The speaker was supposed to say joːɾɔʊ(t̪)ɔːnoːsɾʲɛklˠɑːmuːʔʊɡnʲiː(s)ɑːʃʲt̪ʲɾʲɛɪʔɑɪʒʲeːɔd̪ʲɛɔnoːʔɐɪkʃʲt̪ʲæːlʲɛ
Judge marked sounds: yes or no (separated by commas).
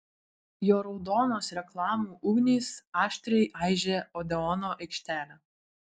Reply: no, yes